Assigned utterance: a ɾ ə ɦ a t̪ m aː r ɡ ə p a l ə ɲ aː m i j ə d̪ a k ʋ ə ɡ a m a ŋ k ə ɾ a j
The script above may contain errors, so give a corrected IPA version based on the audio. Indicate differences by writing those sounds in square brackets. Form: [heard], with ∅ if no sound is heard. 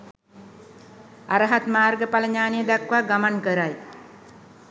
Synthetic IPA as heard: a ɾ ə ɦ a t̪ m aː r ɡ ə p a l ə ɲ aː [n] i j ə d̪ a k ʋ [a] ɡ a m a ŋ k ə ɾ a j